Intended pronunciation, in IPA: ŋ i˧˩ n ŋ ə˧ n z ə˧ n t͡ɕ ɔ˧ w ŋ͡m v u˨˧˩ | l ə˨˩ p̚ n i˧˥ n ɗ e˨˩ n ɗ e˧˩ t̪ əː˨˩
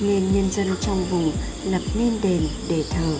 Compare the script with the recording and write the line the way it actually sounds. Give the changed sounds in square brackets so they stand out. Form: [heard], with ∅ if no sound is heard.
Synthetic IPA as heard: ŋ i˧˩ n [ɲ] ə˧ n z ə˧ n t͡ɕ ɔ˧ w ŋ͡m v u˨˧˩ | l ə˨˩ p̚ n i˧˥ n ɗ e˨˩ n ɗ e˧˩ [t̪ʰ] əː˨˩